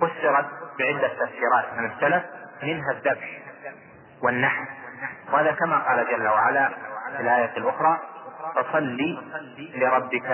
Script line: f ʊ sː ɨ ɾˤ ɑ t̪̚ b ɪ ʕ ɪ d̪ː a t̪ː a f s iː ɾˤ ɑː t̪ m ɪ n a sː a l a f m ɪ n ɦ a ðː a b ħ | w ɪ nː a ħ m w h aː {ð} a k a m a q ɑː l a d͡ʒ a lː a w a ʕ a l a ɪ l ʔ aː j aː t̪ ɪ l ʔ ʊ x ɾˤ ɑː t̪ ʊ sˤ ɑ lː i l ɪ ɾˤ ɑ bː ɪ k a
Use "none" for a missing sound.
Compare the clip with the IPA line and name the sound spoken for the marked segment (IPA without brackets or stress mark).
ð